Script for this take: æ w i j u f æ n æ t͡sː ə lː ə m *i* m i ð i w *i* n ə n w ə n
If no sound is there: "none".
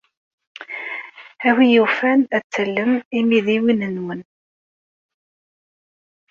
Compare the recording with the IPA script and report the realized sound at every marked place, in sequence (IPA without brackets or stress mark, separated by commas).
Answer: i, i